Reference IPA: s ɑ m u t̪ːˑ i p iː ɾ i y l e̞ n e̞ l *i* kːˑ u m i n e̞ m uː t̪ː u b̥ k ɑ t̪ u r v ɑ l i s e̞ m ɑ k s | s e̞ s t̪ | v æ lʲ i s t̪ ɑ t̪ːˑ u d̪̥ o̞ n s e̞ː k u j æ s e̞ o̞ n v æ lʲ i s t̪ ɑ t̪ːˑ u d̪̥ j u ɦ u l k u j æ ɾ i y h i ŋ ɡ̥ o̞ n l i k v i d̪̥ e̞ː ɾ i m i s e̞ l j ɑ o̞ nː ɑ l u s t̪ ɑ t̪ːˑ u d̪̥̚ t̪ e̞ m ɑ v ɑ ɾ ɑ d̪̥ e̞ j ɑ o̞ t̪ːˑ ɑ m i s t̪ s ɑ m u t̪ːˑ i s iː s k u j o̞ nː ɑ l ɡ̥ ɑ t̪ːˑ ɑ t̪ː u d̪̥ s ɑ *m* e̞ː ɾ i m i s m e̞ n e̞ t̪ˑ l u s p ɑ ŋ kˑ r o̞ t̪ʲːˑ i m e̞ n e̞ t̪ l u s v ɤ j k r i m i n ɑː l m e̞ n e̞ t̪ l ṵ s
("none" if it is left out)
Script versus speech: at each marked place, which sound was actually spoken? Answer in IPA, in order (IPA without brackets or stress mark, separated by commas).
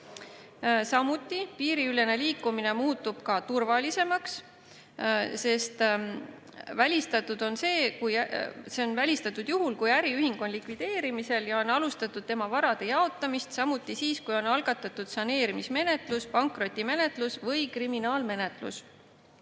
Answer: iː, n